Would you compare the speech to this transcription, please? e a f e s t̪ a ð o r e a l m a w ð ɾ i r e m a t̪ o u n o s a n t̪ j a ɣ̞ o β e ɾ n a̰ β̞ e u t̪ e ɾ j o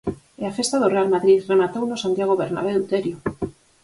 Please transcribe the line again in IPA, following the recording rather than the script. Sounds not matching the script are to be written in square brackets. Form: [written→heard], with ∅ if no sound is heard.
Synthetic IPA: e a f e s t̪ a ð o r e a l m a [w→∅] ð ɾ i r e m a t̪ o [u→w] n o s a n t̪ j a ɣ̞ o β e ɾ n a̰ β̞ e u t̪ e ɾ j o